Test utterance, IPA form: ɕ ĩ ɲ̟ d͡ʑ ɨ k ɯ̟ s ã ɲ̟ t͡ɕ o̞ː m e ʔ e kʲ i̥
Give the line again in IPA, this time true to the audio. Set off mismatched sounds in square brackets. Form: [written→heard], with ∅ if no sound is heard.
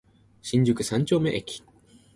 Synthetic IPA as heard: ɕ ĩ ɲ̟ d͡ʑ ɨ k ɯ̟ s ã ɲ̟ t͡ɕ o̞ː m e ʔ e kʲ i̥